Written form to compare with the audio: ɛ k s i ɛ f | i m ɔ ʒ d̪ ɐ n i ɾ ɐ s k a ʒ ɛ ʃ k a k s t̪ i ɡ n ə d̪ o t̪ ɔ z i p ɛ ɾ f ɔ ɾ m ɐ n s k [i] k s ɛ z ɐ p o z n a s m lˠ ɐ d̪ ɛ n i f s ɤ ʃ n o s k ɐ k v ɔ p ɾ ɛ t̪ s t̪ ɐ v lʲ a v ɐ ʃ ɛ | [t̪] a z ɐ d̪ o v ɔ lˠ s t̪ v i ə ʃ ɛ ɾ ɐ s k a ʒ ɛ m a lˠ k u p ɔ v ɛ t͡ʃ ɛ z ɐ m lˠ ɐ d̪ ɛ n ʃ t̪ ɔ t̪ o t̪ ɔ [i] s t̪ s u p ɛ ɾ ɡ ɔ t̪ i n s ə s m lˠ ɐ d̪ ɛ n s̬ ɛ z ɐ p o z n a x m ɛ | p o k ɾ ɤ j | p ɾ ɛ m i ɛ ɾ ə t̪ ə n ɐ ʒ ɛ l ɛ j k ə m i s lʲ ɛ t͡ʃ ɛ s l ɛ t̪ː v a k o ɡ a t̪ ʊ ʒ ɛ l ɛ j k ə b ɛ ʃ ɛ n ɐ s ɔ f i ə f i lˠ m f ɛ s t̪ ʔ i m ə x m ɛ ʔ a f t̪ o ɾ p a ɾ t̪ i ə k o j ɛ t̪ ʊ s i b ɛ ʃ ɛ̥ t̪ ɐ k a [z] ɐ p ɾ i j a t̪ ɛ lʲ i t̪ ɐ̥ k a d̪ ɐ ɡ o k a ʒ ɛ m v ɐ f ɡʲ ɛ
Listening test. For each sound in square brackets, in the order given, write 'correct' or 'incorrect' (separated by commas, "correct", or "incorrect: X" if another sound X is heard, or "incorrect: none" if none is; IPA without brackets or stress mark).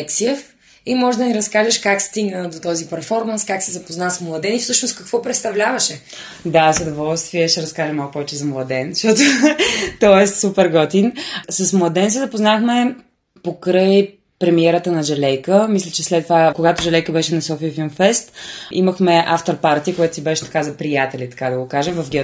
incorrect: a, incorrect: d̪, incorrect: ɛ, correct